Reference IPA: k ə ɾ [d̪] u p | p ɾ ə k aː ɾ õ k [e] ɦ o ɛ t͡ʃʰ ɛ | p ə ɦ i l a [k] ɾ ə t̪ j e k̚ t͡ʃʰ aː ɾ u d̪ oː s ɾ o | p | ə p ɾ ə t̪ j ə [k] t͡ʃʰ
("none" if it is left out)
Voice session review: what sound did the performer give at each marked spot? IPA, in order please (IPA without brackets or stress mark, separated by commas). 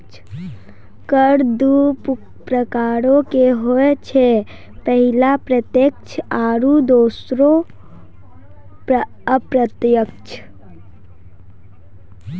d̪, e, p, k